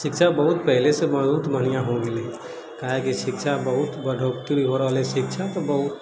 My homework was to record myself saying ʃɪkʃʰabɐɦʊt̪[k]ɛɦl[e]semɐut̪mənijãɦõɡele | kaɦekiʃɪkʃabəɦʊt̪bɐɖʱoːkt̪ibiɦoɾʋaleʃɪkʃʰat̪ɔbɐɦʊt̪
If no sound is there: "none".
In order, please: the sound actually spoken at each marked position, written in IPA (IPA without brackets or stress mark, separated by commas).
p, e